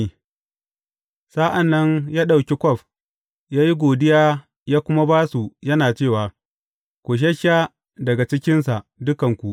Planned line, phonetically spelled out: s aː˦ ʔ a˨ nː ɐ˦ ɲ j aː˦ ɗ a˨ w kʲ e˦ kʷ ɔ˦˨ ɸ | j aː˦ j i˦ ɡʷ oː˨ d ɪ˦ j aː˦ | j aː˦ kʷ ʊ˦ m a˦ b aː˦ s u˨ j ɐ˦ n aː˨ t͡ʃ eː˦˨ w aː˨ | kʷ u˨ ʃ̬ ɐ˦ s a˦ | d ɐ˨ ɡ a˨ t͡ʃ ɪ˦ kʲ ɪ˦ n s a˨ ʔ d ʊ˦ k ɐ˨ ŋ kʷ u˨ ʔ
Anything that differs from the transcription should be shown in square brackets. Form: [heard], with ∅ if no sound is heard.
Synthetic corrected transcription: s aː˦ ʔ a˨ nː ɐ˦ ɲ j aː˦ ɗ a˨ w kʲ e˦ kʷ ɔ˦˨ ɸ | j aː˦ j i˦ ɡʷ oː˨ d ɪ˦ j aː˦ | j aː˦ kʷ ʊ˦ m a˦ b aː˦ s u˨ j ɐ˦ n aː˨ t͡ʃ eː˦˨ w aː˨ | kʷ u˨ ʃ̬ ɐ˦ [ʃ] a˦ | d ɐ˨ ɡ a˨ t͡ʃ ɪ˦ kʲ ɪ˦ n s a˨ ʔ d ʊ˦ k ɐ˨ ŋ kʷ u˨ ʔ